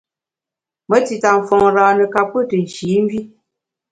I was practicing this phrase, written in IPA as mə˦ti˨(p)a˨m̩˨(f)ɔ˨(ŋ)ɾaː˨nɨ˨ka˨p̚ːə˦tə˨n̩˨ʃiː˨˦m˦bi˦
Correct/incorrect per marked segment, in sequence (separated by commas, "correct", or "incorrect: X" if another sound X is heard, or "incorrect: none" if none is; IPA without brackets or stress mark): incorrect: t, correct, correct